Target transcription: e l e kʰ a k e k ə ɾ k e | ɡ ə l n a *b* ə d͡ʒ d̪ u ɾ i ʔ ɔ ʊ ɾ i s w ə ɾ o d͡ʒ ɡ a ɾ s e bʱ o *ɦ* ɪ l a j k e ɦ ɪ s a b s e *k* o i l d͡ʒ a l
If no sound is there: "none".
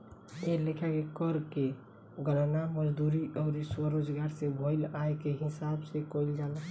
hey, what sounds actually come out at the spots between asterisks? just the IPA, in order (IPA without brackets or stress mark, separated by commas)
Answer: m, none, k